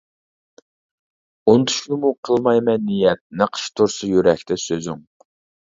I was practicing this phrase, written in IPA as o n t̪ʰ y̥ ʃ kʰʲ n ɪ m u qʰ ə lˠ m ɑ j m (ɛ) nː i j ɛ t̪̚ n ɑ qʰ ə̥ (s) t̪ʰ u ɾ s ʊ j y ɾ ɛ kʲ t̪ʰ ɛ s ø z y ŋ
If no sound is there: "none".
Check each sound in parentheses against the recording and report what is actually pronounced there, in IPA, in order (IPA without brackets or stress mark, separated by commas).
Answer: ɛ, ʃ